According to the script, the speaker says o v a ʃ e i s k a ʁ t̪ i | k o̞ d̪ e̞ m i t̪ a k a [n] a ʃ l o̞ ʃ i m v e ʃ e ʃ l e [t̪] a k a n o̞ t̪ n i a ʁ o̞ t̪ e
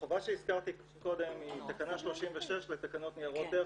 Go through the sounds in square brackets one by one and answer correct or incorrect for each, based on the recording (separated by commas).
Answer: correct, correct